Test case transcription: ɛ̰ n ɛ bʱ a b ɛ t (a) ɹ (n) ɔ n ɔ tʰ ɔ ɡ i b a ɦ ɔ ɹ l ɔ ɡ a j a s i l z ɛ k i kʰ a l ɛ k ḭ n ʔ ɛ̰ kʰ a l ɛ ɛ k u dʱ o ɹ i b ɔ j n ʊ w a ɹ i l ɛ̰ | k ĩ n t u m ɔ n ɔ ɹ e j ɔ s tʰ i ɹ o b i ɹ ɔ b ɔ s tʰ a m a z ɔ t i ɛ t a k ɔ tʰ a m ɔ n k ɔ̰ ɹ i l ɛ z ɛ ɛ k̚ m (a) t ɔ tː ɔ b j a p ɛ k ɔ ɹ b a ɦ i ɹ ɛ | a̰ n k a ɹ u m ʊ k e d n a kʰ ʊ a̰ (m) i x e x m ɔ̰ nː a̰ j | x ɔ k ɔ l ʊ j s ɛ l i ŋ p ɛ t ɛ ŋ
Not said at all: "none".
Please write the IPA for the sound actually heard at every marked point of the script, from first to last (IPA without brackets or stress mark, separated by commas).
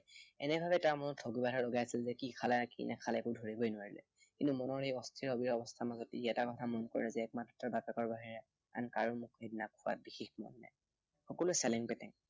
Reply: a, m, a, b